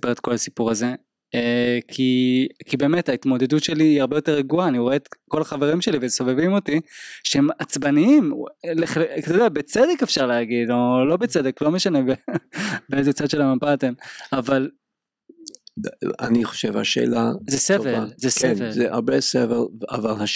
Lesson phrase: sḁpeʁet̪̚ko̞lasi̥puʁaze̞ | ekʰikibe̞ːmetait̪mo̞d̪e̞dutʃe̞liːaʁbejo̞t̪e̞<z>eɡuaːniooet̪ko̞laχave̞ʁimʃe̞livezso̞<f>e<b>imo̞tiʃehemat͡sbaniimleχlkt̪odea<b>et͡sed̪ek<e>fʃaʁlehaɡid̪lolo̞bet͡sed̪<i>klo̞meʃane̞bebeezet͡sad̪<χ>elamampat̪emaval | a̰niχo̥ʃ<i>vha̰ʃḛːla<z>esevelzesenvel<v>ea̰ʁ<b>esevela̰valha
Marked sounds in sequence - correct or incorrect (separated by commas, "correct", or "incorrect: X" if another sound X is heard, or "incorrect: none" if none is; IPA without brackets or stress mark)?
incorrect: ʁ, incorrect: v, incorrect: v, correct, correct, incorrect: e, incorrect: ʃ, incorrect: e, correct, incorrect: z, correct